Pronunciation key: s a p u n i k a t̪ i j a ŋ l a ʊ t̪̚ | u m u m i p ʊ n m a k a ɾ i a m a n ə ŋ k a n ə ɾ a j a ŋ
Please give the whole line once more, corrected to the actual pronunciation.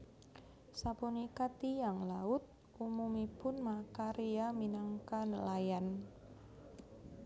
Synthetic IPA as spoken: s a p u n i k a t̪ i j a ŋ l a ʊ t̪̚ | u m u m i p ʊ n m a k a ɾ i a m i n a ŋ k a n ə l a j a n

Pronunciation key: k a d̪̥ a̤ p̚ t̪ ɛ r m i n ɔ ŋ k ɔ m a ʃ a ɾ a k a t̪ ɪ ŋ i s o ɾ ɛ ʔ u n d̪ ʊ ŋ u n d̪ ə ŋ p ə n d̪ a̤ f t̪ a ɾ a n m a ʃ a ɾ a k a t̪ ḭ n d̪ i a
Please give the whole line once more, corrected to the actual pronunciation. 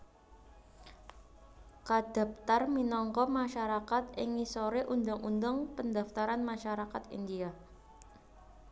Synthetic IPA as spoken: k a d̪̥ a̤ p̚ t̪ a r m i n ɔ ŋ k ɔ m a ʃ a ɾ a k a t̪ ɪ ŋ i s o ɾ e ʔ u n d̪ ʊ ŋ u n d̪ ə ŋ p ə n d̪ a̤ f t̪ a ɾ a n m a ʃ a ɾ a k a t̪ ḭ n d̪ i a

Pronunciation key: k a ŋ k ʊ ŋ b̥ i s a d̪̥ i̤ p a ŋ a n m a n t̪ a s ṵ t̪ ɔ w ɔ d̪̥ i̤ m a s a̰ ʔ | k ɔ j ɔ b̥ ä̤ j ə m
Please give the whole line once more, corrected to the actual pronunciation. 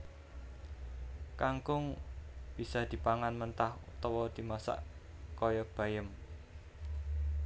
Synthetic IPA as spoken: k a ŋ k ʊ ŋ b̥ i s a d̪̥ i̤ p a ŋ a n m ə n t̪ a h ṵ t̪ ɔ w ɔ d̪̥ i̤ m a s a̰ ʔ | k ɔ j ɔ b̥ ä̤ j ə m

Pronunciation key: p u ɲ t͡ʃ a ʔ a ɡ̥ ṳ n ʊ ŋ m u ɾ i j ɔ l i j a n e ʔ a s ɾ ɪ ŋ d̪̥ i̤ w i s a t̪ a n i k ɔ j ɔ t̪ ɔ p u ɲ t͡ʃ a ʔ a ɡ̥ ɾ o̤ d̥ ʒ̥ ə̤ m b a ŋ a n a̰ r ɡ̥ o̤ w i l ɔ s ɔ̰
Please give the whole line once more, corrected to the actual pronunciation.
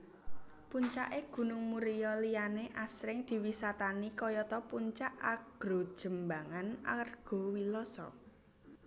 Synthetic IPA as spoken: p u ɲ t͡ʃ a ʔ e ɡ̥ ṳ n ʊ ŋ m u ɾ i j ɔ l i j a n e ʔ a s ɾ ɪ ŋ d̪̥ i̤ w i s a t̪ a n i k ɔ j ɔ t̪ ɔ p u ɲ t͡ʃ a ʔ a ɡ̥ ɾ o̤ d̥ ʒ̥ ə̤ m b a ŋ a n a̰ r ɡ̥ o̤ w i l ɔ s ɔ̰

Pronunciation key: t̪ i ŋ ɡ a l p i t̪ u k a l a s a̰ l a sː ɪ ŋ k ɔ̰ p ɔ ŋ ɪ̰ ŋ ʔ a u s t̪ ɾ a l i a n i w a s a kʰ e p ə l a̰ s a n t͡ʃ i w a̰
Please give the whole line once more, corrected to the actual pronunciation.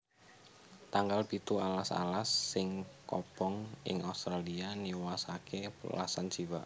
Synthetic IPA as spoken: t̪ a ŋ ɡ a l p i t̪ u a l a s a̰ l a sː ɪ ŋ k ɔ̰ p ɔ ŋ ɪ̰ ŋ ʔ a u s t̪ ɾ a l i a n i w a s a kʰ e p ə l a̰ s a n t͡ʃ i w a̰

